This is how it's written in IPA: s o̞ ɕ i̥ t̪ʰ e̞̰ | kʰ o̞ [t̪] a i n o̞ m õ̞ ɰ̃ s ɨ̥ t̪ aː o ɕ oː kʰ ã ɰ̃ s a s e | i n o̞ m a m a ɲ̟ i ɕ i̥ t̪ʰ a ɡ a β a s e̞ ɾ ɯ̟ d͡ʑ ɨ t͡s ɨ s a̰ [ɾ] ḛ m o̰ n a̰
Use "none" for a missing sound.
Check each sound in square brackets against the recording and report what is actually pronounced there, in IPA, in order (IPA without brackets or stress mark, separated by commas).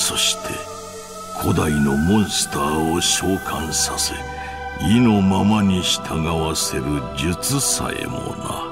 d̪, none